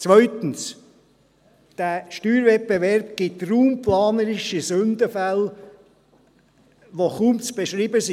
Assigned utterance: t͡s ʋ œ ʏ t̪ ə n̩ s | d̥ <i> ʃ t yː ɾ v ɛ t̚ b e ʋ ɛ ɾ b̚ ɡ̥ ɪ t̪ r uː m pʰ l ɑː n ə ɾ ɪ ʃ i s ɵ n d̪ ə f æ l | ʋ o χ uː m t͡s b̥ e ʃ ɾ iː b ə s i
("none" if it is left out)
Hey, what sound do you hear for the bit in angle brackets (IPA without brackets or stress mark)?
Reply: æ